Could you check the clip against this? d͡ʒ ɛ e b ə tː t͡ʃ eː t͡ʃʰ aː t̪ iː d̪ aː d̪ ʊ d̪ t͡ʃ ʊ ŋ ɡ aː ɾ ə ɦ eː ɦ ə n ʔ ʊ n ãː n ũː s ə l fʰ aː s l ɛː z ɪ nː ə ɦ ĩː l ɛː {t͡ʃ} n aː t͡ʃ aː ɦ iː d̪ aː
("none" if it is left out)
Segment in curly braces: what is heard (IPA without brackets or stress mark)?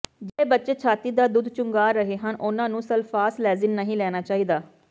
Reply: none